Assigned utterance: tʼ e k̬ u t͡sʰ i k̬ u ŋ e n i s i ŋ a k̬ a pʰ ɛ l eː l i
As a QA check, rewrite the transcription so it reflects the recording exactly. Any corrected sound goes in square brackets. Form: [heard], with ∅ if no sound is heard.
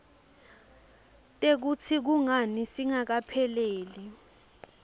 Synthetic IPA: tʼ e k̬ u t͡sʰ i k̬ u ŋ [a] n i s i ŋ a k̬ a pʰ ɛ l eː l i